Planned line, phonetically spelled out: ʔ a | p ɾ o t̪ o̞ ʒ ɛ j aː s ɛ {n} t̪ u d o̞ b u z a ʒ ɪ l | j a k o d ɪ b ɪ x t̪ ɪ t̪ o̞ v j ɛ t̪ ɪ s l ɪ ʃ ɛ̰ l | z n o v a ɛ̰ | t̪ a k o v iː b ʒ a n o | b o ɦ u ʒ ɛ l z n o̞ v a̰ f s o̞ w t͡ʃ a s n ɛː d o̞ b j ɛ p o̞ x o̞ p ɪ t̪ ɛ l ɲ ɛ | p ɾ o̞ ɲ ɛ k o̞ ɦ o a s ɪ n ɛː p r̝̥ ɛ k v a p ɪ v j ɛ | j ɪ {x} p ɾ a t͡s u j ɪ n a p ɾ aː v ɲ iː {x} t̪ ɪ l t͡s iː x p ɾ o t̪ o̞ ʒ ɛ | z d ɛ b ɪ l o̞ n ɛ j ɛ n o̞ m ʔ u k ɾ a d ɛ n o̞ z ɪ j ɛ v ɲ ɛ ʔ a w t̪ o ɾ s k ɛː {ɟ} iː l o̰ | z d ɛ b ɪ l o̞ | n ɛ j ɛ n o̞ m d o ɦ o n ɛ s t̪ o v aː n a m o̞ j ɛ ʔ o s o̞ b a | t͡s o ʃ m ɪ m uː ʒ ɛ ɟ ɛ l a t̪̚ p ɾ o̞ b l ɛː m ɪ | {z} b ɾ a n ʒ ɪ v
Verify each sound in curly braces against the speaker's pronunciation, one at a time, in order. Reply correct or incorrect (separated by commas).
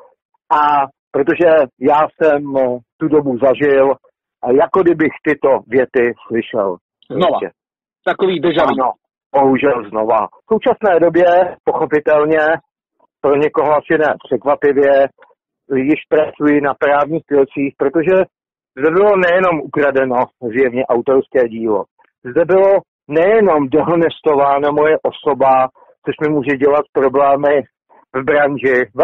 incorrect, incorrect, correct, correct, incorrect